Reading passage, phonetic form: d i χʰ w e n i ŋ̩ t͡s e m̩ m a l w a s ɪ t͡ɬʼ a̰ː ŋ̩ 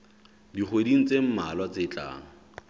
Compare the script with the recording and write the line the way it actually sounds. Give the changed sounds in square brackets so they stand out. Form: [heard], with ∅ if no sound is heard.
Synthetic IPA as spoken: d i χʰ w e [d] i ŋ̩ t͡s e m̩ m a l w a [t͡s] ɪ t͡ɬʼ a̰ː ŋ̩

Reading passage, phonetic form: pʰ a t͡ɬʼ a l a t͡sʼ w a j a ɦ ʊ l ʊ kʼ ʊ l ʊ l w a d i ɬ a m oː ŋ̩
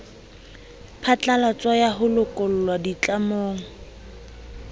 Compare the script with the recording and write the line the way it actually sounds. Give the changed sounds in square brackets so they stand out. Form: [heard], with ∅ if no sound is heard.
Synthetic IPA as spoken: pʰ a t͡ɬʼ a l a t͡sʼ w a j a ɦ ʊ l ʊ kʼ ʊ l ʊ l w a d i [t͡ɬ] a m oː ŋ̩

